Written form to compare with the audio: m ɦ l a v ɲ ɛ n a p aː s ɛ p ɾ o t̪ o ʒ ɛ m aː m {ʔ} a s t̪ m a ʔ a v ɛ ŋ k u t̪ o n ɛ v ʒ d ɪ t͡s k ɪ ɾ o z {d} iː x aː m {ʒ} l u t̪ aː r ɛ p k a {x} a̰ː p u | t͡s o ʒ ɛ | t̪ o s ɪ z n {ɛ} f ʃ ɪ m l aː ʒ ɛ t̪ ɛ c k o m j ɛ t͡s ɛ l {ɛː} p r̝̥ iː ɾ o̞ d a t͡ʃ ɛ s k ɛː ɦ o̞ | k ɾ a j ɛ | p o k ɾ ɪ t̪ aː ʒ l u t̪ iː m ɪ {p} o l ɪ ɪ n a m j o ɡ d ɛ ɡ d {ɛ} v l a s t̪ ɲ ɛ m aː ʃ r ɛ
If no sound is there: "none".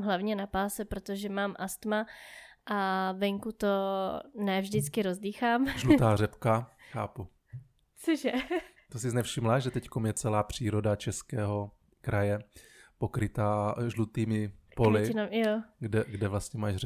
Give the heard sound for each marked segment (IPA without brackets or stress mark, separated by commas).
ʔ, d, ʒ, x, ɛ, aː, p, ɛ